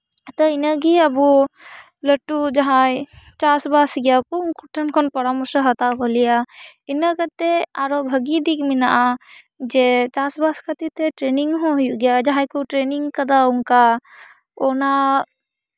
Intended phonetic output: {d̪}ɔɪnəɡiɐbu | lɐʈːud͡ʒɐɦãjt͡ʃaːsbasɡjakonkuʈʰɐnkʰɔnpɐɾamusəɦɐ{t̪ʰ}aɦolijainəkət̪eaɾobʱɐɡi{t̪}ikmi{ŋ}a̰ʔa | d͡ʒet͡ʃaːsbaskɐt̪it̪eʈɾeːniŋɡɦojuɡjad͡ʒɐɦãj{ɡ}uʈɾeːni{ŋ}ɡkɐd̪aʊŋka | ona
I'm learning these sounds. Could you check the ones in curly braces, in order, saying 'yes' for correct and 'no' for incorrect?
no, no, no, no, no, yes

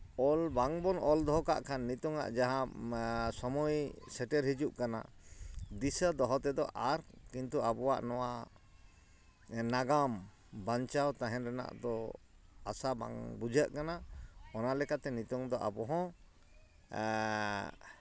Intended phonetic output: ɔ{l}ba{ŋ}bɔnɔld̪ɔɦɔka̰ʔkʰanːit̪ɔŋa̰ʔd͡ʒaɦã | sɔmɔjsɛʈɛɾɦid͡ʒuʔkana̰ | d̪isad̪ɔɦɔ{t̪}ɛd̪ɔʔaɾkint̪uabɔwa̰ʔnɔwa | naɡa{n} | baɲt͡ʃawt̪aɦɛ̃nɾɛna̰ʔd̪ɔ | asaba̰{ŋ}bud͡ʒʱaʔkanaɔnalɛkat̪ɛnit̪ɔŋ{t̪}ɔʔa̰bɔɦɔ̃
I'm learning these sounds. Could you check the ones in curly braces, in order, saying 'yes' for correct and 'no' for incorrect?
yes, yes, yes, no, yes, no

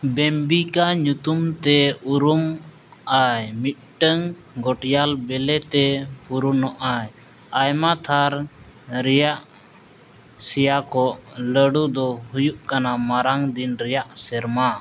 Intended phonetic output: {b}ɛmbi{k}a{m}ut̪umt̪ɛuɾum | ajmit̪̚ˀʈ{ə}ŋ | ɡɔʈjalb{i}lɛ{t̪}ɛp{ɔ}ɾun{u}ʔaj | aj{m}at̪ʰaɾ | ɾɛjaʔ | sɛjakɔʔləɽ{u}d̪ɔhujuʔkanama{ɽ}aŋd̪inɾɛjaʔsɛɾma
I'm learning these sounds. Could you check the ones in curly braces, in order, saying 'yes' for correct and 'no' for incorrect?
yes, yes, no, yes, no, yes, no, no, yes, yes, no

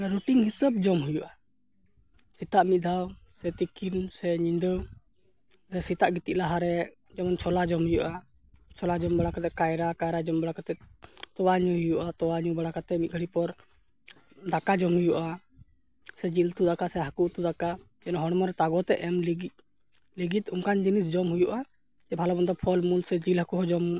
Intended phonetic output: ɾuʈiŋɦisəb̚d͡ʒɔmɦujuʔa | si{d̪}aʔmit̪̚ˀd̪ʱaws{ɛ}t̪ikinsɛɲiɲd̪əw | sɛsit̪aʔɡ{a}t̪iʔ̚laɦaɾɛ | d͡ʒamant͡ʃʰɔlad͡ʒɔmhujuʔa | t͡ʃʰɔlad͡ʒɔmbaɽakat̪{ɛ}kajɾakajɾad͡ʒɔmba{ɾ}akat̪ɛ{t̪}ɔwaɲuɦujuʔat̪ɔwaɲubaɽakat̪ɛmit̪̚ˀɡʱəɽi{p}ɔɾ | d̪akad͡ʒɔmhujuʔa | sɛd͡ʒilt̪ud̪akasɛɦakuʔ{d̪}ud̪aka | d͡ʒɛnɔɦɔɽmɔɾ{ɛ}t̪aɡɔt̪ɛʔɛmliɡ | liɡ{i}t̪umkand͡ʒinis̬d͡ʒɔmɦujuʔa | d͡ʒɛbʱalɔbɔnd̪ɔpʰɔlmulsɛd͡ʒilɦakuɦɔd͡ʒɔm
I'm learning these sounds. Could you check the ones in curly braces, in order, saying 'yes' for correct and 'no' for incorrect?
no, yes, no, yes, no, yes, yes, no, yes, yes

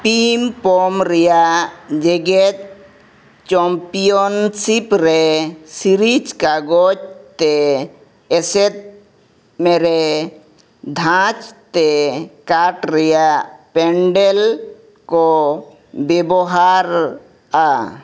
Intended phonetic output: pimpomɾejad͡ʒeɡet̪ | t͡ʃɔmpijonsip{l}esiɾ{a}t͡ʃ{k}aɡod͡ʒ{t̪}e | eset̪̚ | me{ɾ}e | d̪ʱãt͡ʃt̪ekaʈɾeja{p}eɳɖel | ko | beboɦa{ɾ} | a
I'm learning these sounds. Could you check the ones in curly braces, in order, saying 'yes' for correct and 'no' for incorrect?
no, no, yes, yes, yes, yes, yes

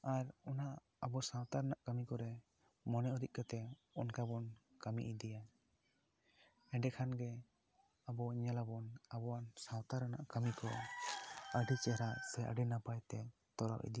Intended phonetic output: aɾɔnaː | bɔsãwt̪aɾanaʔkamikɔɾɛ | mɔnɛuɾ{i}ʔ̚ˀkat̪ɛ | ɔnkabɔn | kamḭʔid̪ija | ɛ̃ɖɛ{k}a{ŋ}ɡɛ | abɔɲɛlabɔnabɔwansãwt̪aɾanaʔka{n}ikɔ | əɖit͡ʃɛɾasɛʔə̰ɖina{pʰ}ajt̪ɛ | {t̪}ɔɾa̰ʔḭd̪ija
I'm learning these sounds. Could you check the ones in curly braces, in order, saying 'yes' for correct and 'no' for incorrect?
yes, no, no, no, no, yes

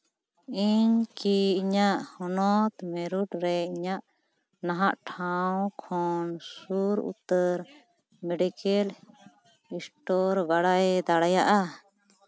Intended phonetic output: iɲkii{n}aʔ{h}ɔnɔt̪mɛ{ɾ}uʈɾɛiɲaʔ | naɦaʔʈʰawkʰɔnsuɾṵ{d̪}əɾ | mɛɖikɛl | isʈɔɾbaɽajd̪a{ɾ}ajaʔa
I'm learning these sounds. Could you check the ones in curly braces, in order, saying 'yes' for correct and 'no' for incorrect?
no, yes, yes, no, no

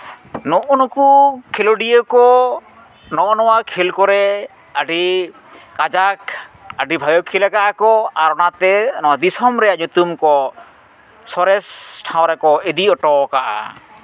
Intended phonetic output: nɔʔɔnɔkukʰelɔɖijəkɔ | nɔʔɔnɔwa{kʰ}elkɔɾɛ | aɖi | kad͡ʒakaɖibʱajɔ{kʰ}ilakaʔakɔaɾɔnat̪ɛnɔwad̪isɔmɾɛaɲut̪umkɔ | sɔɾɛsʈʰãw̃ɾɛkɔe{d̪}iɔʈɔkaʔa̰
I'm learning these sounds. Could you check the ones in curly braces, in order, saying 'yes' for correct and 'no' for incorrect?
yes, yes, yes

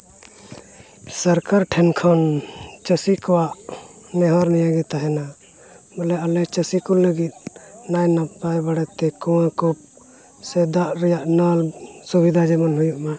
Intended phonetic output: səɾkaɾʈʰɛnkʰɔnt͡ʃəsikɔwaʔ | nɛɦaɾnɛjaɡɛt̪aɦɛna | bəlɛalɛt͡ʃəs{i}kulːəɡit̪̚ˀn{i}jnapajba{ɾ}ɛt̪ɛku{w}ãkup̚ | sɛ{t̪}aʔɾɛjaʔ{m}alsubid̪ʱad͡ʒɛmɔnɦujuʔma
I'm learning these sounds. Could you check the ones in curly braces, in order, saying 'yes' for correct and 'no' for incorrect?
yes, no, no, yes, no, no

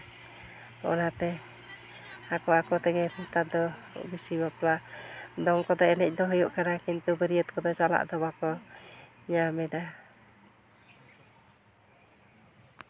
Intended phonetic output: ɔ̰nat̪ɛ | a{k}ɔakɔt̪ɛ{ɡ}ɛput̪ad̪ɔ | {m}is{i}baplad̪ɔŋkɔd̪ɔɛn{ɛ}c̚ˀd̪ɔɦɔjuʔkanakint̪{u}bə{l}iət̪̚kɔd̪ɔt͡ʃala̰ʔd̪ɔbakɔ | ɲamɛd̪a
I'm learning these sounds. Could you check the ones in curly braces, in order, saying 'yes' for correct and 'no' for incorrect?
yes, yes, no, yes, yes, yes, no

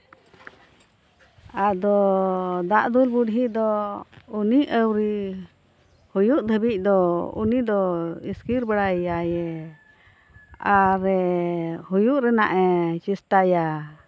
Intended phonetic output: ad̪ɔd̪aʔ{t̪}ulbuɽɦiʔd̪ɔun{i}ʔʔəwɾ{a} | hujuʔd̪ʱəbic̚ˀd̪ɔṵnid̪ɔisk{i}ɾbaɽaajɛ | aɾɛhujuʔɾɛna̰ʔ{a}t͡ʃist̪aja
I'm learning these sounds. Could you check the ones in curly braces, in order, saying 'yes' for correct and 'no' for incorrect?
no, yes, no, yes, no

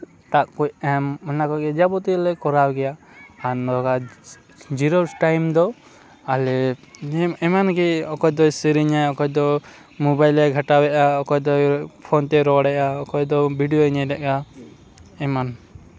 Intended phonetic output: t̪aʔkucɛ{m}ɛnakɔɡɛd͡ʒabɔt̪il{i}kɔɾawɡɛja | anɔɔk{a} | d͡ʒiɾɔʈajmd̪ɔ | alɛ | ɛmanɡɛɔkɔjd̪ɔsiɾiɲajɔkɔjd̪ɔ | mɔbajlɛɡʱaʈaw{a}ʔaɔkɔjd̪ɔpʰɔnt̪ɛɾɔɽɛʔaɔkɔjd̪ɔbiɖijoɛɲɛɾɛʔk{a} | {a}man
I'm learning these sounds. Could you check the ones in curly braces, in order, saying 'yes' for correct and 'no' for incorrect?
yes, no, yes, no, yes, no

